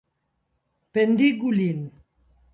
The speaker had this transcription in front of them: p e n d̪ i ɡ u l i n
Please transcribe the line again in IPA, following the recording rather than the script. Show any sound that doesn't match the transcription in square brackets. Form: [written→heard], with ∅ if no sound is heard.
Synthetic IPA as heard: p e n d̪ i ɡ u l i n